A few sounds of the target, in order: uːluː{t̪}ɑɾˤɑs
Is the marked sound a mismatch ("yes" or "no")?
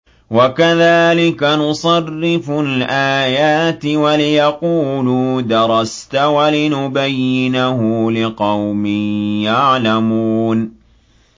yes